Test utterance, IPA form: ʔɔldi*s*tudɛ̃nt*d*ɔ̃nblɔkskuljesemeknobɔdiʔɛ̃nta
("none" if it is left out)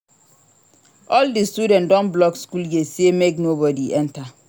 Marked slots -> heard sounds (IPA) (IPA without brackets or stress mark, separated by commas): s, d